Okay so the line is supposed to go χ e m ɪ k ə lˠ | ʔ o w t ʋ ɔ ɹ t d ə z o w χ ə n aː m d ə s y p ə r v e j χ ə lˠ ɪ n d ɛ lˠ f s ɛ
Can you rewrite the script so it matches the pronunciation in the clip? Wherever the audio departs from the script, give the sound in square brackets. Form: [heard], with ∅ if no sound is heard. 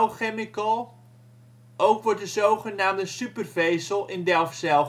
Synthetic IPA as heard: χ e m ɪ k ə lˠ | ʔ o w [k] ʋ ɔ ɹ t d ə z o w χ ə n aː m d ə s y p ə r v e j [s] ə lˠ ɪ n d ɛ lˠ f s ɛ